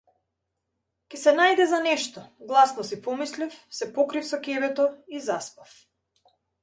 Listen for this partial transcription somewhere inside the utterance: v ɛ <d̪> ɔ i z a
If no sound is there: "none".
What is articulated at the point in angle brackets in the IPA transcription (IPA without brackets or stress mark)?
t̪